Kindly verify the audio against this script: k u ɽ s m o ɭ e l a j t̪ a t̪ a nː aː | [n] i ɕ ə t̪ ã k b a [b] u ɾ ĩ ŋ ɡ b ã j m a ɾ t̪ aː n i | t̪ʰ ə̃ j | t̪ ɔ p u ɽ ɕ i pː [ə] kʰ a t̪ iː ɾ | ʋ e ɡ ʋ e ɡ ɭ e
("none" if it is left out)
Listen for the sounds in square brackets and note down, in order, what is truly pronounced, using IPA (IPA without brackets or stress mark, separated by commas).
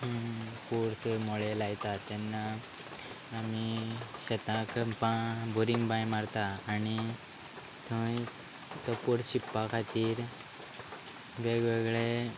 m, b, a